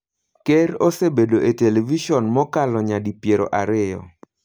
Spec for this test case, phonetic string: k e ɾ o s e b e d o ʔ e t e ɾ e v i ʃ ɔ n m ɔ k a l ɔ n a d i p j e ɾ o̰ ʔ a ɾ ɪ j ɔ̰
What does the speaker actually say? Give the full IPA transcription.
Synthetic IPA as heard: k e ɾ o s e b e d o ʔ e t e l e v i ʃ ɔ n m ɔ k a l ɔ ɲ a d i p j e ɾ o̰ ʔ a ɾ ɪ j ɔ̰